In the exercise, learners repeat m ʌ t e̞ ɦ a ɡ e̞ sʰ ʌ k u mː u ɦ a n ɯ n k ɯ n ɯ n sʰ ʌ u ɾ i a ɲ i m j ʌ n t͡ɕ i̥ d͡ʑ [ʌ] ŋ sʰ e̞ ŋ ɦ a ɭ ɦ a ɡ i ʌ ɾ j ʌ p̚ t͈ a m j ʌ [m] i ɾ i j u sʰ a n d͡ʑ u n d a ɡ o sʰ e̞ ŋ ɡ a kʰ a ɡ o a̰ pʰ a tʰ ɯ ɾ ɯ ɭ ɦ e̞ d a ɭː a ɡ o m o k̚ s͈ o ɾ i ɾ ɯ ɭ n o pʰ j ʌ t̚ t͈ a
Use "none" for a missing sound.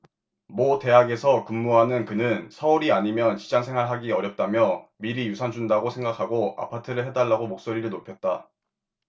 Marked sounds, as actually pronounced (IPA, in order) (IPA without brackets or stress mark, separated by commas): a, m